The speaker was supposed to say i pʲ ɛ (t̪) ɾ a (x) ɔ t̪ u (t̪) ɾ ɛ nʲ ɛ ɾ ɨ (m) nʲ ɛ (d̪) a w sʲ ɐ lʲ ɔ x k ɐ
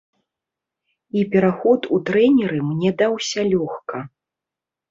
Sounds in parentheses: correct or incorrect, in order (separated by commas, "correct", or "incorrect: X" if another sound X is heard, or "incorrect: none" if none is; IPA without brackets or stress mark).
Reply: incorrect: none, correct, correct, correct, correct